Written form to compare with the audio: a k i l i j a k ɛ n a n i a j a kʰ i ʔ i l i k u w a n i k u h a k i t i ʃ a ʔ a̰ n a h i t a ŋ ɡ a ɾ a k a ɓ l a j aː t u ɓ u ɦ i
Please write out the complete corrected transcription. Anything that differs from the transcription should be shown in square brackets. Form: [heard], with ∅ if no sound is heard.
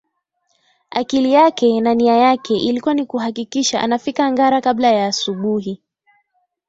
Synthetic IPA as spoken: a k i l i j a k ɛ n a n i a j a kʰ [ɛ] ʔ i l i k u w a n i k u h a k i [k] i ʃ a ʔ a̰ n a [f] i [k] a ŋ ɡ a ɾ a k a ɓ l a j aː [s] u ɓ u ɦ i